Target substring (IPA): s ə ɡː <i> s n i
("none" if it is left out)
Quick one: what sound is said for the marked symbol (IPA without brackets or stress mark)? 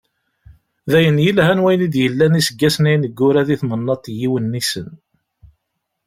æ